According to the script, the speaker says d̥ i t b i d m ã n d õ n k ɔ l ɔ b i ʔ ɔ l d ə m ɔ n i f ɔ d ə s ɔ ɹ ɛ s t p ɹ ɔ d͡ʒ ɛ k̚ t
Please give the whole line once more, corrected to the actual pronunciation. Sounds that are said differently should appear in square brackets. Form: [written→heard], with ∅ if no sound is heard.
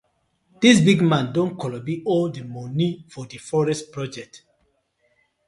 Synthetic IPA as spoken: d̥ i [t→s] b i [d→ɡ] m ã n d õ n k ɔ l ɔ b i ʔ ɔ l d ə m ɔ n i f ɔ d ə [s→f] ɔ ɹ ɛ s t p ɹ ɔ d͡ʒ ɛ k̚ t